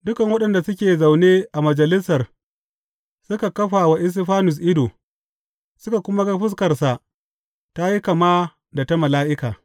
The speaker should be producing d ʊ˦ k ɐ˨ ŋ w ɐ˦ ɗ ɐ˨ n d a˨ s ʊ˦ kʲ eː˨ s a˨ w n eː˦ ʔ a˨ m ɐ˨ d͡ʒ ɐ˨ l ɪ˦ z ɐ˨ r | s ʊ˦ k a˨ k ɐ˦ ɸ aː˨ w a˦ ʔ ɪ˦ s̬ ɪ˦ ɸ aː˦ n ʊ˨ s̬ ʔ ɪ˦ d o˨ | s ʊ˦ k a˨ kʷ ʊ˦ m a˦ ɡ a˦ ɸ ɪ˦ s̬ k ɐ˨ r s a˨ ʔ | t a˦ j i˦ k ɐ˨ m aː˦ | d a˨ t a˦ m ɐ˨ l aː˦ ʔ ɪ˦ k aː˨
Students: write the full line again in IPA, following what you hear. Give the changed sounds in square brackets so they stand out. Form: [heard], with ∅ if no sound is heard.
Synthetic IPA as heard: d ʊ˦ k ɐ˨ ŋ w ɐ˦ ɗ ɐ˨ n d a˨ s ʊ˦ kʲ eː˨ [z] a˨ w n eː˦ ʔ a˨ m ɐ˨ d͡ʒ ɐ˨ l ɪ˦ [s] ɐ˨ r | s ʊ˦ k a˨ k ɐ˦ ɸ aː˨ w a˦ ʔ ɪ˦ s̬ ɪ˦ ɸ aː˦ n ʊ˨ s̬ ʔ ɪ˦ d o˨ | s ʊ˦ k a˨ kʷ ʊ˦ m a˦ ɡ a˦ ɸ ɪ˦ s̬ k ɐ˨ r s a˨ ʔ | t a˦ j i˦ k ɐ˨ m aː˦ | d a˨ t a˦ m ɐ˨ l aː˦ ʔ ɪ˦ k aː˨